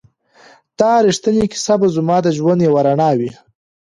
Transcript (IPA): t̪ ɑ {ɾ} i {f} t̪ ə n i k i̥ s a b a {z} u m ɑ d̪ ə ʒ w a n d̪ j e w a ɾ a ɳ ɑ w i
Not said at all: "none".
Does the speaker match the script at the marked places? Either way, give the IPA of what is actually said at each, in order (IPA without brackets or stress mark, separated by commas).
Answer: ɾ, ʂ, z